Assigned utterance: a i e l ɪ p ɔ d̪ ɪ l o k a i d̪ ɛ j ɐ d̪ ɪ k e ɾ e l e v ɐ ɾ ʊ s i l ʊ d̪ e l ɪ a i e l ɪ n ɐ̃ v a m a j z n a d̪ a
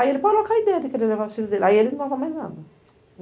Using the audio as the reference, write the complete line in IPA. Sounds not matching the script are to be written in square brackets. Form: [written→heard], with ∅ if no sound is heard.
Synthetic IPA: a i e l ɪ p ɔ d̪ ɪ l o k a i d̪ ɛ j ɐ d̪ ɪ k e ɾ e l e v [ɐ→a] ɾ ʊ s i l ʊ d̪ e l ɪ a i e l ɪ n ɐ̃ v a m a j z n a d̪ [a→ɐ]

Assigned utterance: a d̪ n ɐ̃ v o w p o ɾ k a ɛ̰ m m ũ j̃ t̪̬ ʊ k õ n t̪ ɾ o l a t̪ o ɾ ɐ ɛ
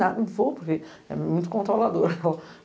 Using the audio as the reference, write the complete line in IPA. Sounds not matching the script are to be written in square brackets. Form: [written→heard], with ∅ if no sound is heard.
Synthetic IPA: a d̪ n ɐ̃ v o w p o ɾ k [a→e] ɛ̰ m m ũ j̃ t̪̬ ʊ k õ n t̪ ɾ o l a [t̪→d̪] o ɾ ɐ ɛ

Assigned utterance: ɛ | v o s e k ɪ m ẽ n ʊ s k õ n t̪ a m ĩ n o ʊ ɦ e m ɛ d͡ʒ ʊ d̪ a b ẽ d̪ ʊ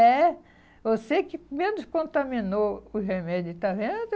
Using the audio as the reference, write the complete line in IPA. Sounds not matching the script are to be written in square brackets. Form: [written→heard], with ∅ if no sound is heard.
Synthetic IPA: ɛ | v o s e k ɪ m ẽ n ʊ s k õ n t̪ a m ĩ n o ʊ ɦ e m ɛ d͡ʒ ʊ [d̪→t̪] a [b→v] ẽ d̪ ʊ

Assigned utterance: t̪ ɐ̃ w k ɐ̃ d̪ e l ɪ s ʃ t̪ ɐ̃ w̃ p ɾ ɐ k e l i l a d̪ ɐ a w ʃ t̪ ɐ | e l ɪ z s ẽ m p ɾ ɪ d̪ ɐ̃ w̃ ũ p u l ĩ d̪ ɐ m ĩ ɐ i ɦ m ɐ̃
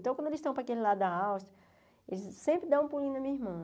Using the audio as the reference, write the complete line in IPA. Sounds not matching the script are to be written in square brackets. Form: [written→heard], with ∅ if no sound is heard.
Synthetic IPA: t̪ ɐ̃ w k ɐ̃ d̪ e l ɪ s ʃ t̪ ɐ̃ w̃ p ɾ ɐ k e l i l a d̪ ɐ a w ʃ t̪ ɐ | e l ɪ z s ẽ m p ɾ ɪ d̪ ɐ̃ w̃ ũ p u l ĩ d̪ ɐ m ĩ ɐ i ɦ m ɐ̃

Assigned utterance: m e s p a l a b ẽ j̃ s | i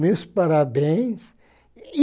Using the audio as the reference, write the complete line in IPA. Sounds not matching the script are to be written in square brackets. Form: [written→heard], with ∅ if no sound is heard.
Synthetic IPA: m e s p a [l→ɾ] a b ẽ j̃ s | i

